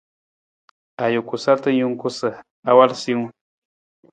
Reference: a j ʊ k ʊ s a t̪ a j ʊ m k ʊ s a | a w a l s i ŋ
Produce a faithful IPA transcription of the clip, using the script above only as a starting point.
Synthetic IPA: a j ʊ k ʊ s a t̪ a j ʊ ŋ k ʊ s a | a w a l s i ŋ